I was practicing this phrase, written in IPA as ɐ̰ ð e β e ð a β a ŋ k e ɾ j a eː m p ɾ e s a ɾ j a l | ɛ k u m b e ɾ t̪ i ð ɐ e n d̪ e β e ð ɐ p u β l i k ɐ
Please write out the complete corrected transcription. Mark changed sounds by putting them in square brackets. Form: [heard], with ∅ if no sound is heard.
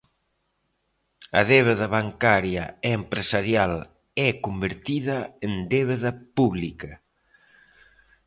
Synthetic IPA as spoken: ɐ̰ ð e β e ð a β a ŋ k [a] ɾ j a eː m p ɾ e s a ɾ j a l | ɛ k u m b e ɾ t̪ i ð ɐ e n d̪ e β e ð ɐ p u β l i k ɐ